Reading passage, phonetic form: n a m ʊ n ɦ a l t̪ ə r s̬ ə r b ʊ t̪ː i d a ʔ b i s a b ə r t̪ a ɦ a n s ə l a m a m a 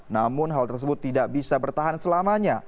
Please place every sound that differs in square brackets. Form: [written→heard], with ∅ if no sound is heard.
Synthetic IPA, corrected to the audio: n a m ʊ n ɦ a l t̪ ə r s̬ ə [r→∅] b ʊ t̪ː i d a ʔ b i s a b ə r t̪ a ɦ a n s ə l a m a [m→ɲ] a